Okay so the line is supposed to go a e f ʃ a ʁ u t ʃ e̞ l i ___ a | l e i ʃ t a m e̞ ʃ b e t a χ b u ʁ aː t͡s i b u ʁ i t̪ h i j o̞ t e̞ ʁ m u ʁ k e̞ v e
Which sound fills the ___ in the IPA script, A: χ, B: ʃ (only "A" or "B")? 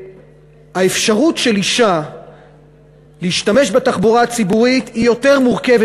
B